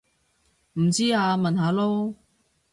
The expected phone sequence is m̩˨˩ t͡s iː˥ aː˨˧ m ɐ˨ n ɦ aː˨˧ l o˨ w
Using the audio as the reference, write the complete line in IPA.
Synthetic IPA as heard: m̩˨˩ t͡s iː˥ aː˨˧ m ɐ˨ n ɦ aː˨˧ l o˥ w